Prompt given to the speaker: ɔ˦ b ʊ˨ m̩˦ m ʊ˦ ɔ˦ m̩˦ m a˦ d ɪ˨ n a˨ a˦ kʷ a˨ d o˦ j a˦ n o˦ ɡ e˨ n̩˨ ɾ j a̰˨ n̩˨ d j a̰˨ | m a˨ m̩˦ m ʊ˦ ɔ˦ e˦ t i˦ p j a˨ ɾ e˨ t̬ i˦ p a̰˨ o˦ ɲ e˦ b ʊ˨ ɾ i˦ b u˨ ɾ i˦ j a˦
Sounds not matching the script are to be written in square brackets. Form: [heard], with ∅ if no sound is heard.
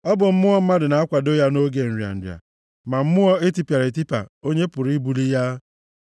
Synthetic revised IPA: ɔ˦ b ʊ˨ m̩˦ m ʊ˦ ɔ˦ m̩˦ m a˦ d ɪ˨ n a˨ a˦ kʷ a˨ d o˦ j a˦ n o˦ ɡ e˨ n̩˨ ɾ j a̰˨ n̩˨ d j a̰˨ | m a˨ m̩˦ m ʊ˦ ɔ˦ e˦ t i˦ p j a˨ ɾ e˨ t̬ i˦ p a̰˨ o˦ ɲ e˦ [p] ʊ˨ ɾ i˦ b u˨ [l] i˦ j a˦